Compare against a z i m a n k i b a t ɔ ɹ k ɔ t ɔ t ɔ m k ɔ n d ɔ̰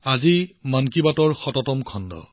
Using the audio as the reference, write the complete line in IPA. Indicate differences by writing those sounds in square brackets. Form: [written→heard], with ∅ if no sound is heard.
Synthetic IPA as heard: a z i m a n k i b a t ɔ ɹ [k→x] ɔ t ɔ t ɔ m [k→kʰ] ɔ n d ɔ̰